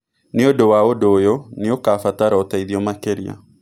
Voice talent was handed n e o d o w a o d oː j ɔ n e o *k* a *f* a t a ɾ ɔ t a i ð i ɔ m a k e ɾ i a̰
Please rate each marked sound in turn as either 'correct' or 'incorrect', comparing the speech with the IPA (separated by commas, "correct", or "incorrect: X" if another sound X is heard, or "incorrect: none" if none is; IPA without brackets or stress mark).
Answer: correct, correct